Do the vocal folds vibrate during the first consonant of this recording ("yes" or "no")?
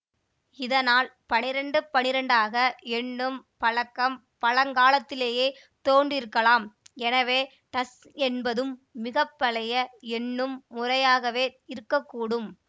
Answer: yes